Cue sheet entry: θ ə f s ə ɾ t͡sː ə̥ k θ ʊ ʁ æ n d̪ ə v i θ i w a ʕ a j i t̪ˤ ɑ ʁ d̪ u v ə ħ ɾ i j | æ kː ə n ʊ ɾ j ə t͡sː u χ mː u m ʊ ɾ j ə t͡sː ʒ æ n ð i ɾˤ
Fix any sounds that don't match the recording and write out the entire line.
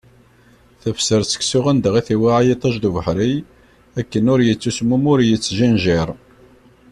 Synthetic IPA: θ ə f s ə ɾ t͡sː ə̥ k s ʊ ʁ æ n d̪ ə ʁ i θ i w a ʕ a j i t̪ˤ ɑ ʒ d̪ u v ə ħ ɾ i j | æ kː ə n ʊ ɾ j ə t͡sː u s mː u m ʊ ɾ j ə t͡sː ʒ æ n ʒ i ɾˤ